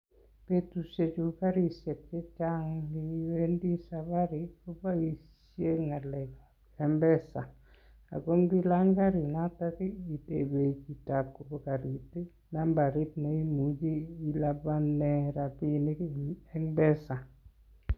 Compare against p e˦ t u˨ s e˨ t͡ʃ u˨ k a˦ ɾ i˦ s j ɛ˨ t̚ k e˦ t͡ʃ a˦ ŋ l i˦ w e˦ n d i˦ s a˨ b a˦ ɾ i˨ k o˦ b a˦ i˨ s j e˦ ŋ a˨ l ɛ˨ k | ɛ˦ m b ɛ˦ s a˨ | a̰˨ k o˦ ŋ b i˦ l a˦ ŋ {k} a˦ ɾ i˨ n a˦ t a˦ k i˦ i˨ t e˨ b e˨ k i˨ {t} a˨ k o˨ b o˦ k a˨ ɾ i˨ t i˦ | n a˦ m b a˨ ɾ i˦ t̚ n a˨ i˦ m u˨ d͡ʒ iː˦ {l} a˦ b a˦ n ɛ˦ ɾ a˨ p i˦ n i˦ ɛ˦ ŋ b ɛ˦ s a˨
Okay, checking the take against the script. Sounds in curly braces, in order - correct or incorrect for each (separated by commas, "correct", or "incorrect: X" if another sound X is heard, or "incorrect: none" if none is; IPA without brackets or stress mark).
incorrect: ɡ, correct, correct